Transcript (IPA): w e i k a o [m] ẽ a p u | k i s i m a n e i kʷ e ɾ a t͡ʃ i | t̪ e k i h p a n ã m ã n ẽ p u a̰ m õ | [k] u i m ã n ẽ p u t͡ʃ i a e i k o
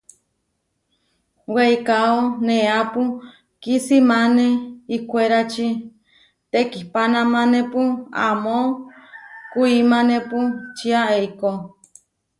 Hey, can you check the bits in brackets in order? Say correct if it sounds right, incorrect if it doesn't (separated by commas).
incorrect, correct